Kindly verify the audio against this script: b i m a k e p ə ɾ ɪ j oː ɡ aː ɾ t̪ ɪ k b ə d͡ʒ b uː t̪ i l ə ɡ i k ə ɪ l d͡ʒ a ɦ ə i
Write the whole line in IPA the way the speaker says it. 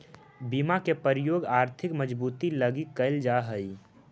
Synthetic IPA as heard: b i m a k e p ə ɾ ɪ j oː ɡ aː ɾ t̪ʰ ɪ k m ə d͡ʒ b uː t̪ i l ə ɡ i k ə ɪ l d͡ʒ a ɦ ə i